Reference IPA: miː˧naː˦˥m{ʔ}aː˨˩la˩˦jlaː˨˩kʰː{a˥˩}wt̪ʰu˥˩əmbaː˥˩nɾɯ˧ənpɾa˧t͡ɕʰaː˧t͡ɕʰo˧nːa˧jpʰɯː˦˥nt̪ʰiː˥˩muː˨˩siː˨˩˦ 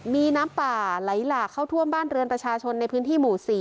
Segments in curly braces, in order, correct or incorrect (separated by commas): incorrect, correct